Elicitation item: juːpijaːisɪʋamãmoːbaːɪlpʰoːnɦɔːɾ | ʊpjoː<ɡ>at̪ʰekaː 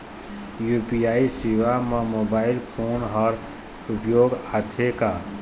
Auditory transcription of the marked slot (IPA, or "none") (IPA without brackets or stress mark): ɡ